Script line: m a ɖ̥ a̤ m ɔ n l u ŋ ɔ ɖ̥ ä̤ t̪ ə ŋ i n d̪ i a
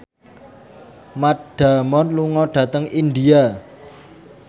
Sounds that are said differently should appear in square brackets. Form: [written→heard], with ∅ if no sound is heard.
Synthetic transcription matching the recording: m a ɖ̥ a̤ m ɔ n l u ŋ ɔ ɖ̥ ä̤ t̪ ə ŋ i n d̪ i a

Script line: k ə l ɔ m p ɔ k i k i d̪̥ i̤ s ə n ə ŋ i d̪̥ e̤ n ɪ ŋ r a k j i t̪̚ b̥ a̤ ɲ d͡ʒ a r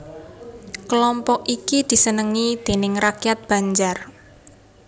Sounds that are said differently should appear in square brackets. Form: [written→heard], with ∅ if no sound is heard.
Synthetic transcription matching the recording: k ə l ɔ m p ɔ k i k i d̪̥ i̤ s ə n ə ŋ i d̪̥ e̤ n ɪ ŋ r a k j [i→a] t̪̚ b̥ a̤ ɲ d͡ʒ a r

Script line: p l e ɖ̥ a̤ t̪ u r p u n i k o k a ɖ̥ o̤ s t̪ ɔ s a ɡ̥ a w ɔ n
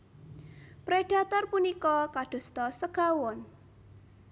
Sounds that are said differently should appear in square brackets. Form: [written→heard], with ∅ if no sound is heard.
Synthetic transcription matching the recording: p [l→ɾ] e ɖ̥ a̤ t̪ [u→ɔ] r p u n i k [o→ɔ] k a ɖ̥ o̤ s t̪ ɔ s [a→ə] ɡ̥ a w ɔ n

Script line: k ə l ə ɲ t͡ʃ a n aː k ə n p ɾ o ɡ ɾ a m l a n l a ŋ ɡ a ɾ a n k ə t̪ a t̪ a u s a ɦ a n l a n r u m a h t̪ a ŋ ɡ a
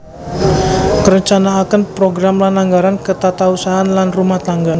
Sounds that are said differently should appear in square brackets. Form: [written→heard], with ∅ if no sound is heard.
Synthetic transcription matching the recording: k ə [l→ɾ] ə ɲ t͡ʃ a n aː k ə n p ɾ o ɡ ɾ a m l a n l a ŋ ɡ a ɾ a n k ə t̪ a t̪ a u s a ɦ a n l a n r u m a h t̪ a ŋ ɡ a

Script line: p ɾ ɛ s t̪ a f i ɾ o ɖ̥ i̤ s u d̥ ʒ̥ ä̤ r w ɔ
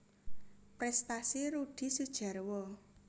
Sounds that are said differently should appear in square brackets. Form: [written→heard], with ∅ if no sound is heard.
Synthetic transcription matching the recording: p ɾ ɛ s t̪ a [f→s] i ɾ [o→u] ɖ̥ i̤ s u d̥ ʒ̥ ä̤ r w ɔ

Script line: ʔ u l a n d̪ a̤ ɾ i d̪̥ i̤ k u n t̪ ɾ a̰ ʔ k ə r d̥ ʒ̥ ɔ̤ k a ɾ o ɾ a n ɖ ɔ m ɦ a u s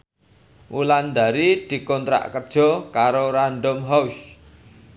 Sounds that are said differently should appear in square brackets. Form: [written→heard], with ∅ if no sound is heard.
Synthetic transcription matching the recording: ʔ u l a n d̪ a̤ ɾ i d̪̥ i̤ k [u→ɔ] n t̪ ɾ a̰ ʔ k ə r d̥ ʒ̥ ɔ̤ k a ɾ o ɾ a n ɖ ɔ m ɦ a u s

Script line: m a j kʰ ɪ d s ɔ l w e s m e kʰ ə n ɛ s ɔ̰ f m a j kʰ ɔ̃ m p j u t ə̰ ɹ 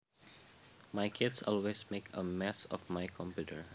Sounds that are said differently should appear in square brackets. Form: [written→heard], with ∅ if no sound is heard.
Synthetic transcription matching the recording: m a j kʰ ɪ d s ɔ l w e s m e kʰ ə [n→m] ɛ s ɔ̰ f m a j kʰ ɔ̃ m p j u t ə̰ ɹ

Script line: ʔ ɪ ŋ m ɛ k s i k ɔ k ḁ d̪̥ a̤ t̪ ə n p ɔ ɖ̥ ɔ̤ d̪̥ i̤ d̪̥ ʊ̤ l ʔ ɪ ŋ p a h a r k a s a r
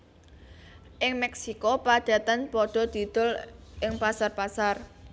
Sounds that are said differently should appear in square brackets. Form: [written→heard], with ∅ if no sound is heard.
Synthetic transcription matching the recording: ʔ ɪ ŋ m ɛ k s i k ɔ [k→p] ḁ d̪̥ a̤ t̪ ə n p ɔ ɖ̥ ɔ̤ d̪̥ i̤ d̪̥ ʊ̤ l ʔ ɪ ŋ p a [h→s] a r [k→p] a s a r

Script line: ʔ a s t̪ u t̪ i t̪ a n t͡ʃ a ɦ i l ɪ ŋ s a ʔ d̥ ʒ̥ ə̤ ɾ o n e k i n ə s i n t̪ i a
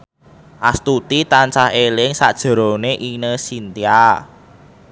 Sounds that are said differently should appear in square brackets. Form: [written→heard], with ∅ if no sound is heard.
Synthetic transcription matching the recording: ʔ a s t̪ u t̪ i t̪ a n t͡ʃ a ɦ [i→e] l ɪ ŋ s a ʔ d̥ ʒ̥ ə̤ ɾ o n e [k→ʔ] i n ə s i n t̪ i a

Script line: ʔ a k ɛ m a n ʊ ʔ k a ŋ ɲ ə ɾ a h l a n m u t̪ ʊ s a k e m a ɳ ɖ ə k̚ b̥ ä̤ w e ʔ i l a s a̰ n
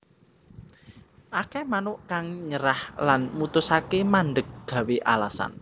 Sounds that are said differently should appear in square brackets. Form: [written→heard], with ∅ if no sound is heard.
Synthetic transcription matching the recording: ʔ a k ɛ m a n ʊ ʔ k a ŋ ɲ ə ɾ a h l a n m u t̪ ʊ s a k e m a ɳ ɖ ə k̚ [b̥→ɡ̥] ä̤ w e ʔ [i→a] l a s a̰ n

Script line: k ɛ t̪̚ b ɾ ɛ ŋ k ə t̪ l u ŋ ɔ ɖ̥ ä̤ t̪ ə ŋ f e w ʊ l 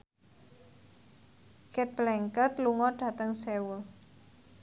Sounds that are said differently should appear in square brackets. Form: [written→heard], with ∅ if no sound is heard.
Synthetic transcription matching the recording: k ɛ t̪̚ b [ɾ→l] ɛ ŋ k ə t̪ l u ŋ ɔ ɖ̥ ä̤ t̪ ə ŋ [f→s] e w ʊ l

